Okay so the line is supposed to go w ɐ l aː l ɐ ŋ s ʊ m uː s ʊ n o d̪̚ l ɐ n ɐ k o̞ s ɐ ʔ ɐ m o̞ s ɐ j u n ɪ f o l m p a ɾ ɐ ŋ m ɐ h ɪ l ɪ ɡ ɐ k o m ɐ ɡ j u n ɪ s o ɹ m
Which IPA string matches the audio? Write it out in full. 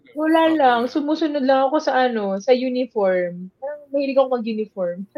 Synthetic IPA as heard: w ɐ l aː l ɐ ŋ s ʊ m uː s ʊ n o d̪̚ l ɐ ŋ ɐ k o̞ s ɐ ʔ ɐ n o̞ s ɐ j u n ɪ f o ɹ m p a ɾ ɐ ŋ m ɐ h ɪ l ɪ ɡ ɐ k o m ɐ ɡ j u n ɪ f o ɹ m